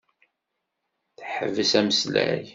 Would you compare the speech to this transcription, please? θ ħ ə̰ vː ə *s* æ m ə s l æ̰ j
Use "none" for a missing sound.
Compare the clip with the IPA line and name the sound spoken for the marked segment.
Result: s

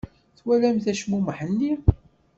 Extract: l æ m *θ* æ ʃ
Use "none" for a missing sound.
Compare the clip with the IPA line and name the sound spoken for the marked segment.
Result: θ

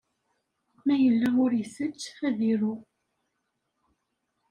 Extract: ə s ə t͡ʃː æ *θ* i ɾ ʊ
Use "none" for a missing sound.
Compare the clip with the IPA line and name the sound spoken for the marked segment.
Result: ð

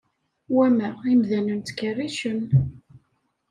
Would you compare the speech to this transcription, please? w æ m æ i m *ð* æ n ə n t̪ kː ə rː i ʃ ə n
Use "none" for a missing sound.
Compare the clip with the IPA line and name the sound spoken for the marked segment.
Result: ð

